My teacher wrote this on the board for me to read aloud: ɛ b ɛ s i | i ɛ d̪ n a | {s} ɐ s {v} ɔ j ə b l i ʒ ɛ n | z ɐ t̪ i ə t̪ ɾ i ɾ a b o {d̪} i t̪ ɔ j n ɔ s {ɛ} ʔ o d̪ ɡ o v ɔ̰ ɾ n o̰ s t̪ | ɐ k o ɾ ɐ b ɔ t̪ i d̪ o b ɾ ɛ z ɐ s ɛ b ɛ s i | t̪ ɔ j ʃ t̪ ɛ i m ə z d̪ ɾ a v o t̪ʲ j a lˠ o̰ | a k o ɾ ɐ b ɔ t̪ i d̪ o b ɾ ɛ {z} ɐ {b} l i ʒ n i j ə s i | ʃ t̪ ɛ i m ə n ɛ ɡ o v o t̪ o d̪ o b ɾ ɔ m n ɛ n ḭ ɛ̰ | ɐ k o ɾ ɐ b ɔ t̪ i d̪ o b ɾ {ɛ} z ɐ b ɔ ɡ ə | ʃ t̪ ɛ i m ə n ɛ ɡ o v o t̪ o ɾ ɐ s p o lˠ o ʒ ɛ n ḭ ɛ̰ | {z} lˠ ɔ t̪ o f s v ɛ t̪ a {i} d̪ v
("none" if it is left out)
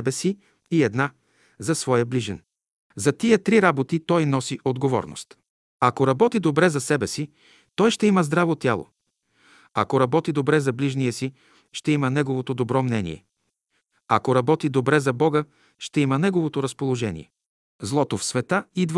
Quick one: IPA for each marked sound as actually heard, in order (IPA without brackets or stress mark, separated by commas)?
z, v, t̪, i, z, b, ɛ, z, i